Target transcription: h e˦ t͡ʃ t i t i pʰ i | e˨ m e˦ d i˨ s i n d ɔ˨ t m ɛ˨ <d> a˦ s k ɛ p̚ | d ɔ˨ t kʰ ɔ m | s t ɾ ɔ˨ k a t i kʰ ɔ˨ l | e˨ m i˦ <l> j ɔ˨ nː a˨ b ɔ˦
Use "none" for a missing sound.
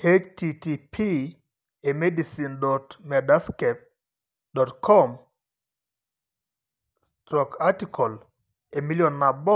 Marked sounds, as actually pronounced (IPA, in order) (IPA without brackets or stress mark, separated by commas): d, l